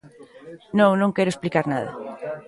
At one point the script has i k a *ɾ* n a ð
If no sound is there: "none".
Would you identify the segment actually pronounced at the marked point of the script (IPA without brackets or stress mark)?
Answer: ɾ